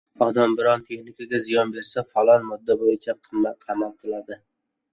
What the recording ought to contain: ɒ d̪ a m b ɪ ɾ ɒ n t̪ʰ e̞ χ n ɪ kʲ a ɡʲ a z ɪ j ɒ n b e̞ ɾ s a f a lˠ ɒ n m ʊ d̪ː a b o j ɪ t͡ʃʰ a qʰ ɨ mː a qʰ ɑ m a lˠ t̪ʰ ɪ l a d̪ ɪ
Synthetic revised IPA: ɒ d̪ a m b ɪ ɾ ɒ n t̪ʰ e̞ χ n ɪ kʲ a ɡʲ a z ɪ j ɒ n b e̞ ɾ s a f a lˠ ɒ n m ʊ d̪ː a b o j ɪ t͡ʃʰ a qʰ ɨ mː a qʰ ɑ m a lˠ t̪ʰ ɪ l a d̪ ɪ